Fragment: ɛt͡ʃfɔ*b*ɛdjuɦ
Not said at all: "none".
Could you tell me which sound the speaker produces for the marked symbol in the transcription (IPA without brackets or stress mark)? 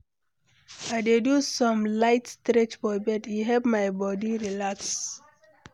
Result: b